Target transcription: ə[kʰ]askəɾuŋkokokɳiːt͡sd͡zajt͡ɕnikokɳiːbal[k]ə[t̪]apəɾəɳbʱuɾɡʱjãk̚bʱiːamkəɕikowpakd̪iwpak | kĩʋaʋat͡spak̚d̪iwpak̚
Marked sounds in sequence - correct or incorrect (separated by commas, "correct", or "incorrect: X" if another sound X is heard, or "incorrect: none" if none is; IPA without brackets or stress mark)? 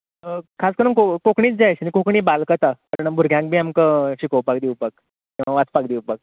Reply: correct, correct, correct